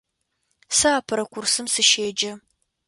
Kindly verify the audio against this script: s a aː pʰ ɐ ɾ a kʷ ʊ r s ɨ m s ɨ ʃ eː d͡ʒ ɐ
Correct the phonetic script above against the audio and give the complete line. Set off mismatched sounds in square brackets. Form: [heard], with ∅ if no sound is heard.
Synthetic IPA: s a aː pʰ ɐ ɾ [ɐ] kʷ ʊ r s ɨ m s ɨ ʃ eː d͡ʒ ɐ